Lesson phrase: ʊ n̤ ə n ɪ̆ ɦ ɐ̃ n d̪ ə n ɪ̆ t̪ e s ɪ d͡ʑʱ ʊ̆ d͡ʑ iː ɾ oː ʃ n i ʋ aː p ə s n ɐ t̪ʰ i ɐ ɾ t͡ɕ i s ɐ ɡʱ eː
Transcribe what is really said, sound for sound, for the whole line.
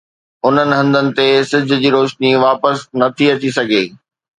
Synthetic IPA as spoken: ʊ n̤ ə n ɪ̆ ɦ ɐ̃ n d̪ ə n ɪ̆ t̪ e s ɪ d͡ʑʱ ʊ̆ d͡ʑ iː ɾ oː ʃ n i ʋ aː p ə s n ɐ t̪ʰ i ɐ t͡ɕ i s ɐ ɡʱ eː

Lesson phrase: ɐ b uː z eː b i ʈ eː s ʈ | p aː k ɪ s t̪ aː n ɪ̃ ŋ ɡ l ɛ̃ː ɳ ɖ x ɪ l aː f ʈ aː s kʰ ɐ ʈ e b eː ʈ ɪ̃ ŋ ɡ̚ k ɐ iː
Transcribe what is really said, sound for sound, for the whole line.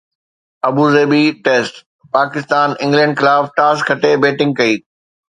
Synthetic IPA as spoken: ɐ b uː z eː b i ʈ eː s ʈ | p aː k ɪ s t̪ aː n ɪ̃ ŋ ɡ l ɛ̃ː ɳ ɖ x ɪ l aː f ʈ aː s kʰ ɐ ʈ e b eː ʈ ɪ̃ ŋ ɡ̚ k ɐ iː

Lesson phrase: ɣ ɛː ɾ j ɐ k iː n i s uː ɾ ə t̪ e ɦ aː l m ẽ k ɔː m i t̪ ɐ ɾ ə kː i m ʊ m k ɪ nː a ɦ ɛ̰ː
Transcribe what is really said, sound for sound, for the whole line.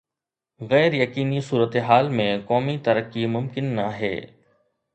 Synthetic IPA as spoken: ɣ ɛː ɾ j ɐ k iː n i s uː ɾ ə t̪ e ɦ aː l m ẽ k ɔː m i t̪ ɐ ɾ ə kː i m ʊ m k ɪ nː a ɦ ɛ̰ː

